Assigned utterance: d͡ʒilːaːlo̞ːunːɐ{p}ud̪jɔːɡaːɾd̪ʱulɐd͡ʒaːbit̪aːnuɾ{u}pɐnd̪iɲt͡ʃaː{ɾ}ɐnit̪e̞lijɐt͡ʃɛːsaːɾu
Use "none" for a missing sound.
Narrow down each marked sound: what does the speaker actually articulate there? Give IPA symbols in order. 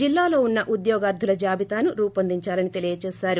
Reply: ʔ, uː, l

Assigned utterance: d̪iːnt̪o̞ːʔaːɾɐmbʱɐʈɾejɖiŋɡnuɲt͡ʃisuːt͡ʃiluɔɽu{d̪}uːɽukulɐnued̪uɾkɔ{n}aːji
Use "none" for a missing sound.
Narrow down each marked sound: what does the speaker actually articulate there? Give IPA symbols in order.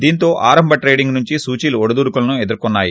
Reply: d̪, nː

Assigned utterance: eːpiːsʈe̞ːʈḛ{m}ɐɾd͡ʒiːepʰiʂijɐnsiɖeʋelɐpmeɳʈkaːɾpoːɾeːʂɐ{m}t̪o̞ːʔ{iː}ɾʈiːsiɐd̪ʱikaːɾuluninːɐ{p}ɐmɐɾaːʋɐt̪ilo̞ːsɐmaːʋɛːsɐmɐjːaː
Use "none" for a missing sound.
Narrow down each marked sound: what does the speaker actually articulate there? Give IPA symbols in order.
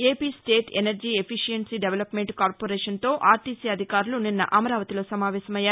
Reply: n, n, aː, ʔ

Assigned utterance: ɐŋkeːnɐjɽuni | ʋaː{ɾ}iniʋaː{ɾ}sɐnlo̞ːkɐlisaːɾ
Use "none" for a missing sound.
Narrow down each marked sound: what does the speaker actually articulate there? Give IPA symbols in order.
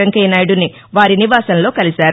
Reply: ɾ, none

